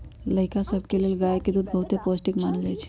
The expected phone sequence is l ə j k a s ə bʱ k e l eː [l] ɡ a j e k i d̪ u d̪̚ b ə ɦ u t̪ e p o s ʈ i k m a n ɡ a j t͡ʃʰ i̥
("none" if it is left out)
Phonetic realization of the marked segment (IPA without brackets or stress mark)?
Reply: l